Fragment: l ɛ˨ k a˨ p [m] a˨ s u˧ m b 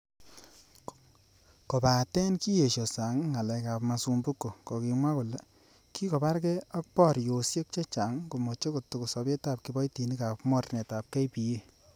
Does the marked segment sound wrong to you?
no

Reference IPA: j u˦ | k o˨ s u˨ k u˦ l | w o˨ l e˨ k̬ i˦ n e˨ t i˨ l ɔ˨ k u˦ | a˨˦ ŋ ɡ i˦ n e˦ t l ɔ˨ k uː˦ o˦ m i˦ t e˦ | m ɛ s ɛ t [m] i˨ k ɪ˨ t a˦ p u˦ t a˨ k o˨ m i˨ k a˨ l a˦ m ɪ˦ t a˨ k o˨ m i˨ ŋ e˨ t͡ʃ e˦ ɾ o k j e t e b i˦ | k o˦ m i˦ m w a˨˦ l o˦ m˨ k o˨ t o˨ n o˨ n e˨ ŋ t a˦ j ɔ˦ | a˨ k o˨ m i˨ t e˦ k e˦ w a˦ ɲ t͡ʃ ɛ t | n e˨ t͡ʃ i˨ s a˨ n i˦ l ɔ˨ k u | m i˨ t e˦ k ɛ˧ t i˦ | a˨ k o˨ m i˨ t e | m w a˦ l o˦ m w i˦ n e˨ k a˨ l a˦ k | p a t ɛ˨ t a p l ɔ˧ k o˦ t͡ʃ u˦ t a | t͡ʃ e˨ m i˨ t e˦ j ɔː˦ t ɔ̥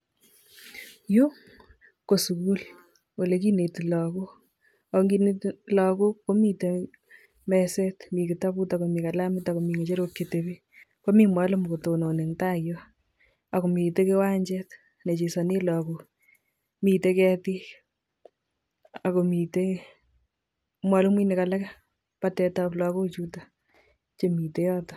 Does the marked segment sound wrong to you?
no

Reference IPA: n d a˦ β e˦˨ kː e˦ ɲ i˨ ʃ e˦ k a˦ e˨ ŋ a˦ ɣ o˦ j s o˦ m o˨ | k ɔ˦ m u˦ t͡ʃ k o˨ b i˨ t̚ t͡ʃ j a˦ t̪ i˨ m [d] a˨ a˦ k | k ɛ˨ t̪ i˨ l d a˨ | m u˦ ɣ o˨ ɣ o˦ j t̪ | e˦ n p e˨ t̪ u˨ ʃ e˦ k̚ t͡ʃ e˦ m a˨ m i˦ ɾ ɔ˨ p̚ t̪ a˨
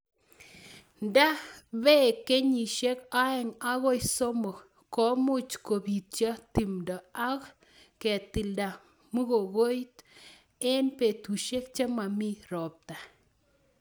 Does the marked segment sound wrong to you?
no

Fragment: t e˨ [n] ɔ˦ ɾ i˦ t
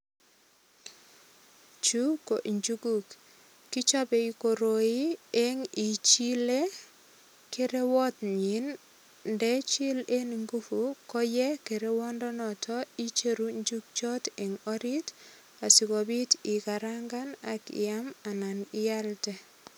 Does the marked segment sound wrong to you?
yes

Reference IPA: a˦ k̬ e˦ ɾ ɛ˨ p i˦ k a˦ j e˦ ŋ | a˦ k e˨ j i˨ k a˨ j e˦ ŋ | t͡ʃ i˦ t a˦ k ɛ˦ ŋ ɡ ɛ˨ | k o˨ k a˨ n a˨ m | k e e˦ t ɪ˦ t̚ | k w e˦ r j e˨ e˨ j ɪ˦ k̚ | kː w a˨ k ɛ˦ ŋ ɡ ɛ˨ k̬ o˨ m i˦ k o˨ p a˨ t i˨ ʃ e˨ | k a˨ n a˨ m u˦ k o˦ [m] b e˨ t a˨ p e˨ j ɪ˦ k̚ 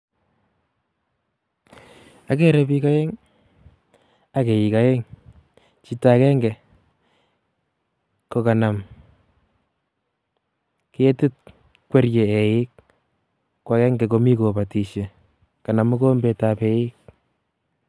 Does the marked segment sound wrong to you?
no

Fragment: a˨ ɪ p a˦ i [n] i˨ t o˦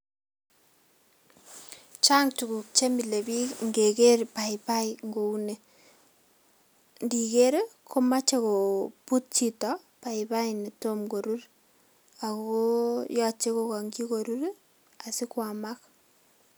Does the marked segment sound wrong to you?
no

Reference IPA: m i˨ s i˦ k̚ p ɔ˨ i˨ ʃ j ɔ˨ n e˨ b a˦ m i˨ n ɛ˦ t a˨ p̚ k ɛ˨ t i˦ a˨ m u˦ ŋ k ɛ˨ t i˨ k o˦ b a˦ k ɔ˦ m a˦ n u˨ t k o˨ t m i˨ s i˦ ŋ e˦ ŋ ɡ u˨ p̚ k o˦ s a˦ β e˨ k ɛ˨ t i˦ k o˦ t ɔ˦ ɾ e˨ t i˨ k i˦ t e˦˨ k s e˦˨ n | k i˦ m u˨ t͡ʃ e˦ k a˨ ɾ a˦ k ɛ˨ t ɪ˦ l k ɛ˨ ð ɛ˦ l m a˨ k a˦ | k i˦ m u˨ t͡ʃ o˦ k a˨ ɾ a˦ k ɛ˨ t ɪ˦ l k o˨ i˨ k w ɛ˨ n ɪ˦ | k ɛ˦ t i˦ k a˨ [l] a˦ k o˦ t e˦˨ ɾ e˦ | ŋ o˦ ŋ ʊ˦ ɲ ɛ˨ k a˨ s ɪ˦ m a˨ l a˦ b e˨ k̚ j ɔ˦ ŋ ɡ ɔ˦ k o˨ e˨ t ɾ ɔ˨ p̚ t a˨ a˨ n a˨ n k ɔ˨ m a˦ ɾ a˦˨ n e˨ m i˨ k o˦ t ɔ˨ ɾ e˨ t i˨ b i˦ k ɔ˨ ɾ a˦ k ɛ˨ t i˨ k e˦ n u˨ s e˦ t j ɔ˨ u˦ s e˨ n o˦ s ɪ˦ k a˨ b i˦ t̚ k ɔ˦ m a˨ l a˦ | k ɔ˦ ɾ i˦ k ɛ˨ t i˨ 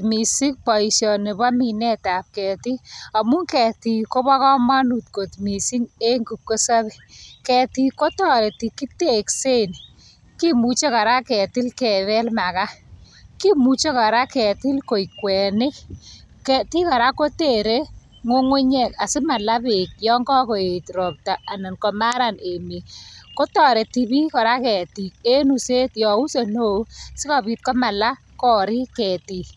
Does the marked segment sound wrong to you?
yes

